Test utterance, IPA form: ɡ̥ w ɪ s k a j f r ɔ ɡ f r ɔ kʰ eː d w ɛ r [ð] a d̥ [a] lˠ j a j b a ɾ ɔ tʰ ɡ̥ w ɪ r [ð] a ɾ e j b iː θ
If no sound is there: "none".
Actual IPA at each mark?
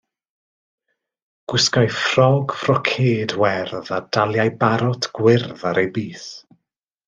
ð, a, ð

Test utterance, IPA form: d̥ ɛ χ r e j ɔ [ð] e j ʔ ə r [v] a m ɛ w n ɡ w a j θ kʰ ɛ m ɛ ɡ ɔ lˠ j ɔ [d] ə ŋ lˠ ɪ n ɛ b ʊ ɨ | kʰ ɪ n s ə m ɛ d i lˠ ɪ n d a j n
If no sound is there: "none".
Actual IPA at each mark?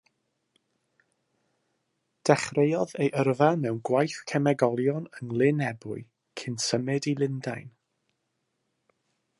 ð, v, n

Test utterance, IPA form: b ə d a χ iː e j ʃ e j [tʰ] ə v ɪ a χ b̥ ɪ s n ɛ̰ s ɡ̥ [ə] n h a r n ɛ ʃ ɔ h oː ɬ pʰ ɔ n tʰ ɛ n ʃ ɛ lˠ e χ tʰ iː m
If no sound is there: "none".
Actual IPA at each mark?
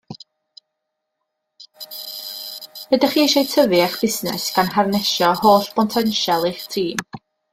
tʰ, a

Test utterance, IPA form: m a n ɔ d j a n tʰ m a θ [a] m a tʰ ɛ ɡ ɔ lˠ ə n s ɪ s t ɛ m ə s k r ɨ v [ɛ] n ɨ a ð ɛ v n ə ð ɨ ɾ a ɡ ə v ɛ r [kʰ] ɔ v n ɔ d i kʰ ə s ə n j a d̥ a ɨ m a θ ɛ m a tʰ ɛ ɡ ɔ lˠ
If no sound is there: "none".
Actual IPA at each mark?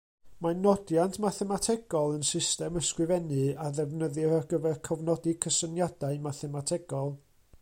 ɛ, ɛ, kʰ

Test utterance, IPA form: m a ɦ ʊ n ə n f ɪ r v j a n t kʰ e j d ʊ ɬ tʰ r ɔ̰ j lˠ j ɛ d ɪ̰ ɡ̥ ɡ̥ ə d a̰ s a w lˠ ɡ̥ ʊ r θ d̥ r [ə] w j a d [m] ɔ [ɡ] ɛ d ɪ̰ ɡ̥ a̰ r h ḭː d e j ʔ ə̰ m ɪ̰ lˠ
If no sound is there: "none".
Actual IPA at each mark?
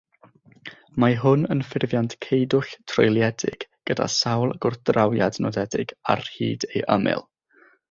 a, n, d

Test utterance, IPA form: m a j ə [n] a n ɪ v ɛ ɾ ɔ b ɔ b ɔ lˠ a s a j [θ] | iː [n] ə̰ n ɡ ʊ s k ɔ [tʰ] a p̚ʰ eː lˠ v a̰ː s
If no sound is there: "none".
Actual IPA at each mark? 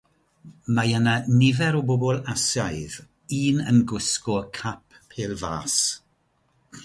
n, ð, n, kʰ

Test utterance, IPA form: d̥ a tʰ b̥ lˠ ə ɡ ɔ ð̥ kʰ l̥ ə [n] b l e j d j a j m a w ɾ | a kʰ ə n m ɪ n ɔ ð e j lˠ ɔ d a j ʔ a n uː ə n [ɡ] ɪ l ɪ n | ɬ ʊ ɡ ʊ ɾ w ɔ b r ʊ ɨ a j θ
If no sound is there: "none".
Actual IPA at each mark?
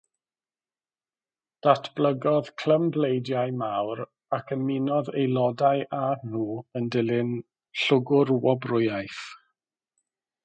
m, d

